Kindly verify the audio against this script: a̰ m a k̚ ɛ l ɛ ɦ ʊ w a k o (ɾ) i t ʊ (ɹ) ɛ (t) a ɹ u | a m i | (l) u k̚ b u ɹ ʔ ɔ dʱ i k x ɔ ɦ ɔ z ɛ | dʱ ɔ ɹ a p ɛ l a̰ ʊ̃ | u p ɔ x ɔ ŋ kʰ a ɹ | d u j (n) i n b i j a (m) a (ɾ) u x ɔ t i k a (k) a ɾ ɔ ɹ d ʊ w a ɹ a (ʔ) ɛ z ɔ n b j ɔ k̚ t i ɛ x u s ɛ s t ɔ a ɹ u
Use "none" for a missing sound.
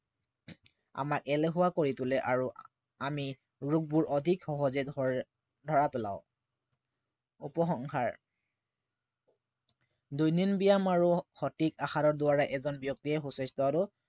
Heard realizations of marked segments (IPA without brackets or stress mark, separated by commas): ɹ, l, ʔ, ɹ, n, m, ɹ, x, ʔ